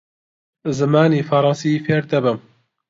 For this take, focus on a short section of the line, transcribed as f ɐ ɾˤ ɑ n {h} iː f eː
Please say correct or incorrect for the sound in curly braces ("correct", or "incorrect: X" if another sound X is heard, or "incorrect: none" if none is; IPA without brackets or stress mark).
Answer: incorrect: s